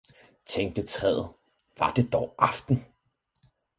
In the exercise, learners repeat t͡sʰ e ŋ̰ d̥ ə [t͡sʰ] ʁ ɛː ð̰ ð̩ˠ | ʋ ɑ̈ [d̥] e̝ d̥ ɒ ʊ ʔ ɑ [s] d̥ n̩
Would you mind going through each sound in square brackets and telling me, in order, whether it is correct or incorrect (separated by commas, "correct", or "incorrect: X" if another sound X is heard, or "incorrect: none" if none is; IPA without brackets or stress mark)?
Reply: correct, correct, incorrect: f